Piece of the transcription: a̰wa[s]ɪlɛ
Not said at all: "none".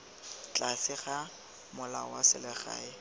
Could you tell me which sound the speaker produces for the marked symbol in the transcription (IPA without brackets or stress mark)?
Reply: s